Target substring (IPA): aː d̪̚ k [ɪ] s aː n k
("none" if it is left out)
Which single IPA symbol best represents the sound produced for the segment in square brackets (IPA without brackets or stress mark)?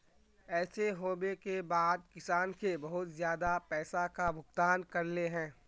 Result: ɪ